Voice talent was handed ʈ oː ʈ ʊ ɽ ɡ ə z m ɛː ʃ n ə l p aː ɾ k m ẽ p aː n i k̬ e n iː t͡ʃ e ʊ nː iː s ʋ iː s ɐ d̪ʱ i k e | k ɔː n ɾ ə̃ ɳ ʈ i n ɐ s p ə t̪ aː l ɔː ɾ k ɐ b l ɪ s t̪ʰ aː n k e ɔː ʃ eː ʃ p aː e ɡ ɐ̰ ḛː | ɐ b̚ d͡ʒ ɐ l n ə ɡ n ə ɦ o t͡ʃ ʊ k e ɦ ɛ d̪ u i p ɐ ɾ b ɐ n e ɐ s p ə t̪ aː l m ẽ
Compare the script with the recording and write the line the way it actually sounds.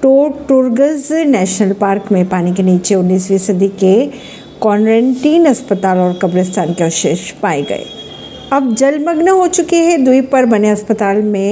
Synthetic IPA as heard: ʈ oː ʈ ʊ ɾ ɡ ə z n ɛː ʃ n ə l p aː ɾ k m ẽ p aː n i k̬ e n iː t͡ʃ e ʊ nː iː s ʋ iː s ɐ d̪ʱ i k e | k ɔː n ɾ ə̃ ɳ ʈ iː n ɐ s p ə t̪ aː l ɔː ɾ k ɐ b ɾ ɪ s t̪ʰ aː n k e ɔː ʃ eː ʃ p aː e ɡ ɐ̰ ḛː | ɐ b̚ d͡ʒ ɐ l m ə ɡ n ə ɦ o t͡ʃ ʊ k e ɦ ɛ d̪ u i p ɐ ɾ b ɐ n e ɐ s p ə t̪ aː l m ẽ